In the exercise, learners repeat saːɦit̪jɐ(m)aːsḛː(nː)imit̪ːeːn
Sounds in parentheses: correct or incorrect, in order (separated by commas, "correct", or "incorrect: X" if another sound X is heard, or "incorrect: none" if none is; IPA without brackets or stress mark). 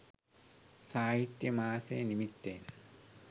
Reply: correct, incorrect: n